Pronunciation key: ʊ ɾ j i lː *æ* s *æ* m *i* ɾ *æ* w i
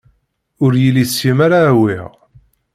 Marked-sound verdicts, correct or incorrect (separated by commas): incorrect, incorrect, incorrect, incorrect